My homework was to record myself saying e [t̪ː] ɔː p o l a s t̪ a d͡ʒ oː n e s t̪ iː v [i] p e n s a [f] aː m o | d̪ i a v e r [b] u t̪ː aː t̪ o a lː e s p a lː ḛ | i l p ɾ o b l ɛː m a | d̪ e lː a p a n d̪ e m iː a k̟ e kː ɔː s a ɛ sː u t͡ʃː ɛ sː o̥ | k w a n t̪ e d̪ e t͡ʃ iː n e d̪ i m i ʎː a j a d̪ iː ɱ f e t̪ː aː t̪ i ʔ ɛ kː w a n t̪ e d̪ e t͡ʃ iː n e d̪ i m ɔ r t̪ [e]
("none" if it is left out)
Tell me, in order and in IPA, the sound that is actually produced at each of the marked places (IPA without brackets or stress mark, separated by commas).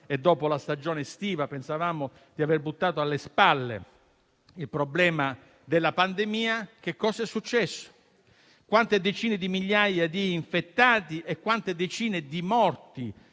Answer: d̪ː, a, v, b, i